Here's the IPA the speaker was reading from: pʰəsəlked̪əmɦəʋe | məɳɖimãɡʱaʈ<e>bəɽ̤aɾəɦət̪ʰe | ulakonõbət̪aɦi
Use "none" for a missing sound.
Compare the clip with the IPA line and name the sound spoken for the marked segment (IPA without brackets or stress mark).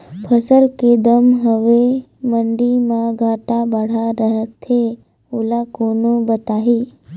a